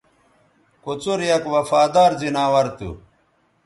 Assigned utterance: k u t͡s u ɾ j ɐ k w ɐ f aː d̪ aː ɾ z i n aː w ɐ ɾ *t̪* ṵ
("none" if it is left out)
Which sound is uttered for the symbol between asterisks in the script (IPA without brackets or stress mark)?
t̪